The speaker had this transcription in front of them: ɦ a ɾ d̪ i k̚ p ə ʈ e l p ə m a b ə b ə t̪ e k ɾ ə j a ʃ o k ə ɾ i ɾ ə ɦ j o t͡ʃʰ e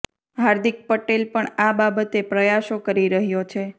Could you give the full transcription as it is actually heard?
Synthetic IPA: ɦ a ɾ d̪ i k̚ p ə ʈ e l p ə ɳ a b a b ə t̪ e p ɾ ə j a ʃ o k ə ɾ i ɾ ə ɦ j o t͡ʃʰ e